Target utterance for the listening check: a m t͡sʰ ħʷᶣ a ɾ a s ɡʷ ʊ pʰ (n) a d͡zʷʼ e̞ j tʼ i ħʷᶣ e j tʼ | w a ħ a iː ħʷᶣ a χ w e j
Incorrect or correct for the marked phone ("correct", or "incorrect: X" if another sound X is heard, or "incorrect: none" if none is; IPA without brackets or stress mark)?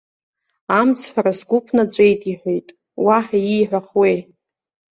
correct